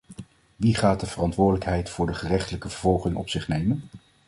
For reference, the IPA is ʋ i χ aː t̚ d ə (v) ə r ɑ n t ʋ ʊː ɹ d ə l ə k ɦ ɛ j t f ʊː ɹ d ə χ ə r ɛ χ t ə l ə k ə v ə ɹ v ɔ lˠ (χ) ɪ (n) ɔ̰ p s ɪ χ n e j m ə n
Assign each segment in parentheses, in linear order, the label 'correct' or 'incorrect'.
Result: correct, correct, incorrect

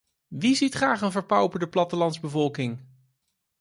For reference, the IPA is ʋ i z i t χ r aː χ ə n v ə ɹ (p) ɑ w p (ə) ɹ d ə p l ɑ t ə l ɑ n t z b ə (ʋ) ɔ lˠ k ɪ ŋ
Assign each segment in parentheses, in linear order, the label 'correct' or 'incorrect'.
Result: correct, correct, incorrect

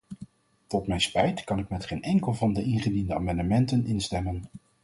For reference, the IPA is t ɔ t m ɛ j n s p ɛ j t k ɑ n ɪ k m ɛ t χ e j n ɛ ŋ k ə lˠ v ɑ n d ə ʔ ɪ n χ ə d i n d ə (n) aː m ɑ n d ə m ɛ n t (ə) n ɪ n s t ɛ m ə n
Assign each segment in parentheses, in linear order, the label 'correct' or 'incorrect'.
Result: incorrect, correct

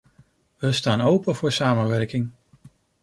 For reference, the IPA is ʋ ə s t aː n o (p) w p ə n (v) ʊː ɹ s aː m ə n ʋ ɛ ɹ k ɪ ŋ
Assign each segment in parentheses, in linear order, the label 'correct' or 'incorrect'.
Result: incorrect, correct

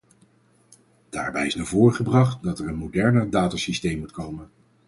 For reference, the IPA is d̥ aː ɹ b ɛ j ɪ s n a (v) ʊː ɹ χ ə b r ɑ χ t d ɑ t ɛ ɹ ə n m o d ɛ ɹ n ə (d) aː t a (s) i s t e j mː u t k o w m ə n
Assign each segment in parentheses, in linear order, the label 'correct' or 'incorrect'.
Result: correct, correct, correct

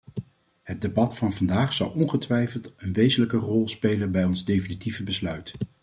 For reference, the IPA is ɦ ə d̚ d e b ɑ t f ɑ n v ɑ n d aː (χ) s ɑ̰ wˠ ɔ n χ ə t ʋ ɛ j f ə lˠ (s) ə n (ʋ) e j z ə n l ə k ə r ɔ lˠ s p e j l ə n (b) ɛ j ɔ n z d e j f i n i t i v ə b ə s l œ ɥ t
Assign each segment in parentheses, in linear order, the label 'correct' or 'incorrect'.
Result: correct, incorrect, correct, correct

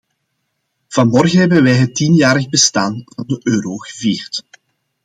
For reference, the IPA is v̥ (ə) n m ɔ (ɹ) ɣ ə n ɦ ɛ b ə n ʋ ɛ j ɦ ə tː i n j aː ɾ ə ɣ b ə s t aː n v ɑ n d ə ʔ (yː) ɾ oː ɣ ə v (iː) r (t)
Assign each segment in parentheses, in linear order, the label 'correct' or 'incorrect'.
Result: incorrect, incorrect, incorrect, correct, correct

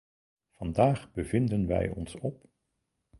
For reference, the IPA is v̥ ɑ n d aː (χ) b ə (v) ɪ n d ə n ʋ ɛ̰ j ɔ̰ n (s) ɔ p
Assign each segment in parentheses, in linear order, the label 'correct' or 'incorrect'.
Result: correct, correct, correct

